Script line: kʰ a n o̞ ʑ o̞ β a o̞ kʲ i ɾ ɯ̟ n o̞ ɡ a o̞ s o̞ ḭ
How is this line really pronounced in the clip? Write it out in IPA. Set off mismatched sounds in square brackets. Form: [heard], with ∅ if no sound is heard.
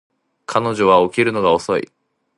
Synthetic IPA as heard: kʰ a n o̞ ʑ o̞ β a o̞ kʲ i ɾ ɯ̟ n o̞ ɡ a o̞ s o̞ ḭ